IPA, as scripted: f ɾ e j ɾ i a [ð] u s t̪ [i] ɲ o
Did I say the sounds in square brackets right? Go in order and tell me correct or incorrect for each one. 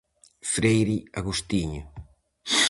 incorrect: ɣ, correct

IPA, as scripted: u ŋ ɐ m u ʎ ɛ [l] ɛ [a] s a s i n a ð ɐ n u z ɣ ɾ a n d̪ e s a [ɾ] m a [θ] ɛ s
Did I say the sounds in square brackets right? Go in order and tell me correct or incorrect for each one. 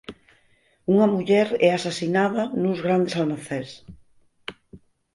incorrect: ɾ, correct, incorrect: l, correct

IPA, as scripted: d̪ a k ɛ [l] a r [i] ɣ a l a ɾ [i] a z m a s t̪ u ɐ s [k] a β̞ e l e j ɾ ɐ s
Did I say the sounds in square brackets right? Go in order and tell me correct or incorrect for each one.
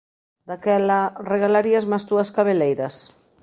correct, incorrect: e, correct, correct

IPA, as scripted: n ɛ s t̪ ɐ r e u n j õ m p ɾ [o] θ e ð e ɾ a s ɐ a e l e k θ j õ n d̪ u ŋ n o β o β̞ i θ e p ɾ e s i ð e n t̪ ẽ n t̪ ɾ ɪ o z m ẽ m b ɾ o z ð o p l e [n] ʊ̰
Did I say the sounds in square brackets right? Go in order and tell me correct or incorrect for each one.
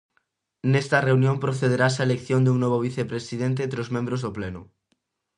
correct, correct

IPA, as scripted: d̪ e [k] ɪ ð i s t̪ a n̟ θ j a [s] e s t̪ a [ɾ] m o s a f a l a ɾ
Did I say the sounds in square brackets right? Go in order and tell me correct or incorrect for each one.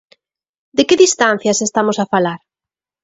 correct, correct, incorrect: none

